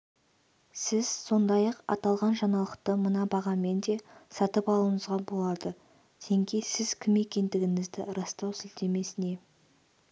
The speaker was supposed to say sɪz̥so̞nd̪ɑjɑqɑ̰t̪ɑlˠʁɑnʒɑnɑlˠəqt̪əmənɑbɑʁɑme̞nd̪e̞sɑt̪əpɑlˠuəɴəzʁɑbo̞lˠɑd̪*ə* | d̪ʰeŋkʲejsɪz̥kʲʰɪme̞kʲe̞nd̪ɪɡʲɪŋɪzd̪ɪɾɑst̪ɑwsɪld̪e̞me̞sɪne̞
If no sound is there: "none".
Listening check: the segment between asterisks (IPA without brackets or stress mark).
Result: ə